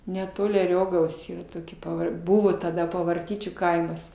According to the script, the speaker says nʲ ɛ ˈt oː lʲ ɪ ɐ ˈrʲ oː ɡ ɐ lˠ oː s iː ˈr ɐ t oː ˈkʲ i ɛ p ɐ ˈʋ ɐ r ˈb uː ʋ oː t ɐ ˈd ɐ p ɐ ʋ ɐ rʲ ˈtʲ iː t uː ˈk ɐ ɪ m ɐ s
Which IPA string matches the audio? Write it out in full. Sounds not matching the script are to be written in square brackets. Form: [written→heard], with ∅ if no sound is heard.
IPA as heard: nʲ ɛ ˈt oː lʲ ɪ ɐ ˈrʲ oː ɡ ɐ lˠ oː s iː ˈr ɐ t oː ˈkʲ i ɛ p ɐ ˈʋ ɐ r ˈb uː ʋ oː t ɐ ˈd ɐ p ɐ ʋ ɐ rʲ ˈtʲ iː [t→t͡ʃʲ] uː ˈk ɐ ɪ m ɐ s